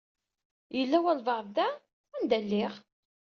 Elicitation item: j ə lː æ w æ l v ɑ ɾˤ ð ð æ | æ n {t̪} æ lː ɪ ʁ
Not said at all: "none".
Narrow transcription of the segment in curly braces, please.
d̪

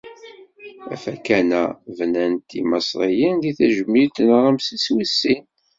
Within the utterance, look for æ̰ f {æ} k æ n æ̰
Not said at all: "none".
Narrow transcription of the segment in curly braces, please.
æ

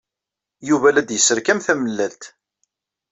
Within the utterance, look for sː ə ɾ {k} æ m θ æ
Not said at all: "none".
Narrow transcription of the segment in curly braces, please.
k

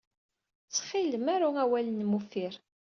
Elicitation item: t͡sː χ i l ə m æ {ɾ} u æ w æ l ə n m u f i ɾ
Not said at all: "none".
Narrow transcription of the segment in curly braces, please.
ɾ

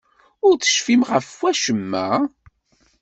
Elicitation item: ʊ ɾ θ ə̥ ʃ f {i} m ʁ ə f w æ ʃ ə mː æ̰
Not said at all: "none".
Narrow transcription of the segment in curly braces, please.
i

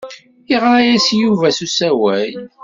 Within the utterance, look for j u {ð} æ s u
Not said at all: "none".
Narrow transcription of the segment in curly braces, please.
v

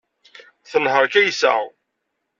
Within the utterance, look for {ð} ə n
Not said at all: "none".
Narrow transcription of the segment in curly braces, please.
θ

